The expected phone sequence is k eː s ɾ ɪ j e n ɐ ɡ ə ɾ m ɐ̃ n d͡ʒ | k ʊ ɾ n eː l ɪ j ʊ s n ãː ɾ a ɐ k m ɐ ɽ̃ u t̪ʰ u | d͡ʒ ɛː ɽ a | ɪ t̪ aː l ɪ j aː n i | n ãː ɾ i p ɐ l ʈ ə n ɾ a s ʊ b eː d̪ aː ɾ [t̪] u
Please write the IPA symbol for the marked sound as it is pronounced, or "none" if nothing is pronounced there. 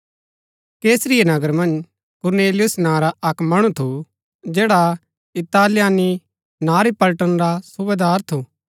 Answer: t̪ʰ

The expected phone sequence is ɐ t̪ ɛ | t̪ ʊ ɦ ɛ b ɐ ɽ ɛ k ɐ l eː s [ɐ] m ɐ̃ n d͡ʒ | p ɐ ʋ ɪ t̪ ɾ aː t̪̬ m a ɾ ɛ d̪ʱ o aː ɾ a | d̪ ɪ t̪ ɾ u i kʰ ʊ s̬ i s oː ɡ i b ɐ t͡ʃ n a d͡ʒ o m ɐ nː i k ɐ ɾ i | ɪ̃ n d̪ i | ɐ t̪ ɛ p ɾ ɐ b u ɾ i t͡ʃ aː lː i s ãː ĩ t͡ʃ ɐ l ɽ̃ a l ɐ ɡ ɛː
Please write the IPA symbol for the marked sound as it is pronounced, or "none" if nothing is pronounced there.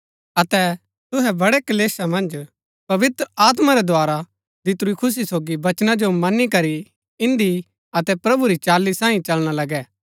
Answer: a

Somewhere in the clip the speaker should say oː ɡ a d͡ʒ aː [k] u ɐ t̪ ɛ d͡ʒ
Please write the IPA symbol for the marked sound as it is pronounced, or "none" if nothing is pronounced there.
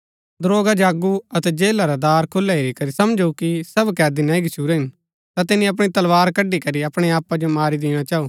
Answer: ɡ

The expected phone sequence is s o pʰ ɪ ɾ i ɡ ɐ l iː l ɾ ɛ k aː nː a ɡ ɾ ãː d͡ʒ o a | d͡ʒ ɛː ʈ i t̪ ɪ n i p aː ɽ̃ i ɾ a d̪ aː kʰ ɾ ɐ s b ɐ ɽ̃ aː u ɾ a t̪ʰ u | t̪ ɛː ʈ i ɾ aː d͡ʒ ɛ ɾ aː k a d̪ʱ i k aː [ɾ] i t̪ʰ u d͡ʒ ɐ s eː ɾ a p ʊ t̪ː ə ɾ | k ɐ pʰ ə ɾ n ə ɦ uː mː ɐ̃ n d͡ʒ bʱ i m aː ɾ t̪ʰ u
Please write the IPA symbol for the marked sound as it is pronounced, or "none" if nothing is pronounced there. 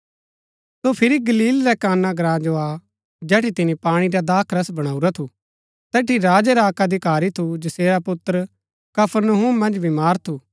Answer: ɾ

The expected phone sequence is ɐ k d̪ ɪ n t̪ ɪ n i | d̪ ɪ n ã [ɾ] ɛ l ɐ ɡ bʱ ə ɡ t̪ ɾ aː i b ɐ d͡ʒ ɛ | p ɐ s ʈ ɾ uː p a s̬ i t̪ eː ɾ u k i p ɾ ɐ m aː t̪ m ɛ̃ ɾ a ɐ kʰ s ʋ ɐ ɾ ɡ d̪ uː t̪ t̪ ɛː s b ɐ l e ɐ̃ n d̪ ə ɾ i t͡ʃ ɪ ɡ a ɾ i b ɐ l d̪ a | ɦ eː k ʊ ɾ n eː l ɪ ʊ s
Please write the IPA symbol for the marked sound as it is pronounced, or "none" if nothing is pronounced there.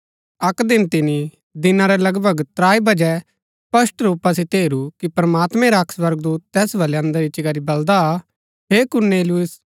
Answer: ɾ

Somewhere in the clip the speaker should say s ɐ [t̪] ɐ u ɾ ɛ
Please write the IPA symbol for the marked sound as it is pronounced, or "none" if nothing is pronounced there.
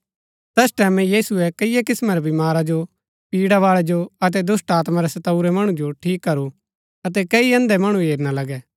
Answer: t̪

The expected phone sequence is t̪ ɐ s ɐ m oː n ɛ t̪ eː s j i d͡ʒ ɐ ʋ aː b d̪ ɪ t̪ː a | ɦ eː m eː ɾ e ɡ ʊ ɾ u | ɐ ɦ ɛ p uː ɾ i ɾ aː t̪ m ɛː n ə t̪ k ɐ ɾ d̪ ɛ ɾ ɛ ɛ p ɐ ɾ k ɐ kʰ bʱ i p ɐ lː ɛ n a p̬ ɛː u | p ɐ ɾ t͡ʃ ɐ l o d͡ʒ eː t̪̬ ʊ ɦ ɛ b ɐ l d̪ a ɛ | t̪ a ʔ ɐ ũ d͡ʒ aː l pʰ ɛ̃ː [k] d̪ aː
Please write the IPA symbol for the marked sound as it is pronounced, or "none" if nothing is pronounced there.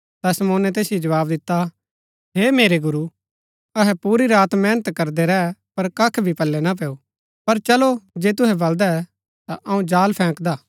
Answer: k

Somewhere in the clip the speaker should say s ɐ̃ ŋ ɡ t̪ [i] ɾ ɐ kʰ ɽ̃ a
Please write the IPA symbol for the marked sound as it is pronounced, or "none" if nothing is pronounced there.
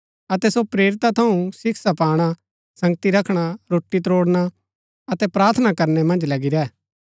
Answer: i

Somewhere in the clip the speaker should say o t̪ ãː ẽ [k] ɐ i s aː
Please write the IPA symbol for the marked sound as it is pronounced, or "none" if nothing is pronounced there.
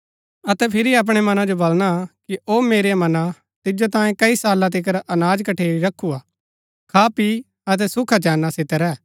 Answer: k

